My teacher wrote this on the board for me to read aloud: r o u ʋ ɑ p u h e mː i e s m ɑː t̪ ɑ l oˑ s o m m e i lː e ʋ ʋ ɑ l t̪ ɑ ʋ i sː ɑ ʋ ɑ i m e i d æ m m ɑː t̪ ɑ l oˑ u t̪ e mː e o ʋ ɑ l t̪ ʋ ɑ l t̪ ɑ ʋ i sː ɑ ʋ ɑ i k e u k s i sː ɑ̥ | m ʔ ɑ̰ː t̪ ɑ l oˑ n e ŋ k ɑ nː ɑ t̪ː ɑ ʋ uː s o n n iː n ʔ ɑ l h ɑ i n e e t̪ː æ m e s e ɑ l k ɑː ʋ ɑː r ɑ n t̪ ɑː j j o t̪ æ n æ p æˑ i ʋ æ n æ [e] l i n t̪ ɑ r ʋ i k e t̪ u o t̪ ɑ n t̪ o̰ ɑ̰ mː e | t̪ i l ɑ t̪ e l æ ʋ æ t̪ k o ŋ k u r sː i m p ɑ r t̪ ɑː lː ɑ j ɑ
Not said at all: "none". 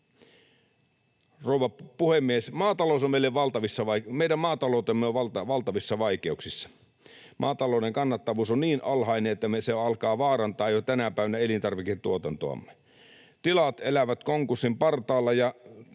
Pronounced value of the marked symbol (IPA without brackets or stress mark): e